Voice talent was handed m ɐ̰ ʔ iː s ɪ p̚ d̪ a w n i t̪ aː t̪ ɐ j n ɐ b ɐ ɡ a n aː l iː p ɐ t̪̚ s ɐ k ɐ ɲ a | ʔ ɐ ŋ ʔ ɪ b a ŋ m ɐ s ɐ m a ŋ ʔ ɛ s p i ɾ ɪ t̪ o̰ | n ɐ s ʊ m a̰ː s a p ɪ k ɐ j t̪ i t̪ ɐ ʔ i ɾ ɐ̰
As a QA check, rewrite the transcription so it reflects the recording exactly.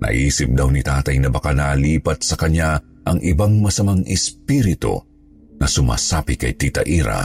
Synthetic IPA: n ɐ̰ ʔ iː s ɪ p̚ d̪ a w n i t̪ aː t̪ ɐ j n ɐ b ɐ k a n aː l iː p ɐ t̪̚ s ɐ k ɐ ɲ a | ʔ ɐ ŋ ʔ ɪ b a ŋ m ɐ s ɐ m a ŋ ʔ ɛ s p i ɾ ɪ t̪ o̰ | n ɐ s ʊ m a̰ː s a p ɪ k ɐ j t̪ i t̪ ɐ ʔ i ɾ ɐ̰